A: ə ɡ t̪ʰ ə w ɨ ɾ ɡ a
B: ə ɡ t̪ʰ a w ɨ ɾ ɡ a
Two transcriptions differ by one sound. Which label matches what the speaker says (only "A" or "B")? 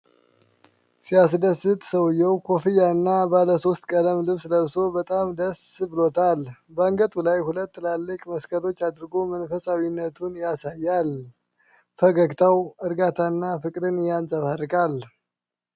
B